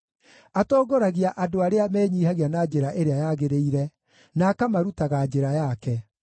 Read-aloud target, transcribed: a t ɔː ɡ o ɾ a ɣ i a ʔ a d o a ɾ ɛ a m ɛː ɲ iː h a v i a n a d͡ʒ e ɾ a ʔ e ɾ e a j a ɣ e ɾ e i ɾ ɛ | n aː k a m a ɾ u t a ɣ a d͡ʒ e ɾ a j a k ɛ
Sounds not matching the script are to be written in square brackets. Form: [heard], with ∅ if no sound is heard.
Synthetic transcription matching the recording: a t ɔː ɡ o ɾ a ɣ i a ʔ a d o a ɾ [e] a m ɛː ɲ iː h a [ɣ] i a n a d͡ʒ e ɾ a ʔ e ɾ e a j a ɣ e ɾ e i ɾ ɛ | n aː k a m a ɾ u t a ɣ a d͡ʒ e ɾ a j a k ɛ